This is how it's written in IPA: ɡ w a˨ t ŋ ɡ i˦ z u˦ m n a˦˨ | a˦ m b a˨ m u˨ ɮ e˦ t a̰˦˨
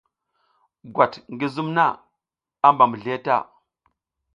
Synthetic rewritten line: ɡ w a˨ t ŋ ɡ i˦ z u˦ m n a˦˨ | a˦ m b a˨ m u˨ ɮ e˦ t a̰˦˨